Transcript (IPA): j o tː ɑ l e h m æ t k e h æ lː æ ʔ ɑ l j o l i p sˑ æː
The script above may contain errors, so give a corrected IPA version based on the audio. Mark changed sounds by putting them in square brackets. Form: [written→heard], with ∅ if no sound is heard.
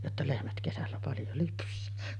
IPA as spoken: j o tː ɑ l e h m æ t k e [h→s] æ lː æ [ʔ→p] ɑ l j o l [i→y] p sˑ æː